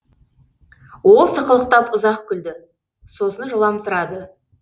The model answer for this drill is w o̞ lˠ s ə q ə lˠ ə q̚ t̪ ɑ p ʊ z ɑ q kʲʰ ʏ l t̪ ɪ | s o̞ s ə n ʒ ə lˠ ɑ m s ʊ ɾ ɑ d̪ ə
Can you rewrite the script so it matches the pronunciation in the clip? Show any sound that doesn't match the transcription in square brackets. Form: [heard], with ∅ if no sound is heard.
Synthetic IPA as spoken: w o̞ lˠ s ə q ə lˠ ə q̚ t̪ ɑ p ʊ z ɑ q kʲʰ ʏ l [d̪] ɪ | s o̞ s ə n ʒ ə lˠ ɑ m s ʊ ɾ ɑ d̪ ə